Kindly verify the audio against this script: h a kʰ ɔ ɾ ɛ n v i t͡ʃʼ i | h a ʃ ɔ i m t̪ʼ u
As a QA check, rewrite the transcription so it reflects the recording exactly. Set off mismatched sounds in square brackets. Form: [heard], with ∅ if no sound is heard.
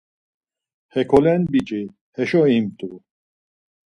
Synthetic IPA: h [ɛ] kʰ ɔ [l] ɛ n [b] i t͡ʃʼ i | h [ɛ] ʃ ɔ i m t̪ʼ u